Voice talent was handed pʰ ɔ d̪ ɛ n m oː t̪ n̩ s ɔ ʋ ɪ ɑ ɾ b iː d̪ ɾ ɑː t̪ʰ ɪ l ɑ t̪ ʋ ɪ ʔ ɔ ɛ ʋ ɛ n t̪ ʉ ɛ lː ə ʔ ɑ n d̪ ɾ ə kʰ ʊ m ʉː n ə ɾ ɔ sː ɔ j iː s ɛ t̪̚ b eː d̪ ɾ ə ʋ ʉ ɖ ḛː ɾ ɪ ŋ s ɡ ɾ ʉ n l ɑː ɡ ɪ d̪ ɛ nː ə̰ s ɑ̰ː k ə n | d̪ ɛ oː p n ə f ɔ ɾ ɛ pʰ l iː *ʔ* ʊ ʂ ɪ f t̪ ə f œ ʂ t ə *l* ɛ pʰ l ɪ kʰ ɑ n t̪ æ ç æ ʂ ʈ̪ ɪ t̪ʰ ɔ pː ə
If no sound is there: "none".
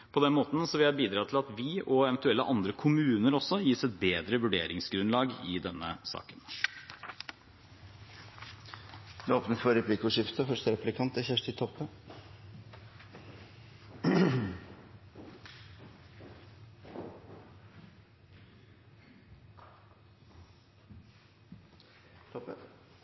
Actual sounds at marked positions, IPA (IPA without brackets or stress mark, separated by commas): k, ɾ